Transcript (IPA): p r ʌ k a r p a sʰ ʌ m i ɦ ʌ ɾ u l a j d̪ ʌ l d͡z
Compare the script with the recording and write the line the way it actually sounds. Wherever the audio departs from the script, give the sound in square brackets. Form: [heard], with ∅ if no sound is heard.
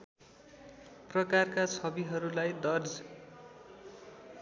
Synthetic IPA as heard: p r ʌ k a r [k] a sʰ ʌ [b] i ɦ ʌ ɾ u l a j d̪ ʌ [r] d͡z